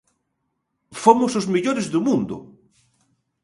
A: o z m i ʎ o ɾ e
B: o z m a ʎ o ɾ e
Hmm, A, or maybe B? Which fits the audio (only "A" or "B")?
A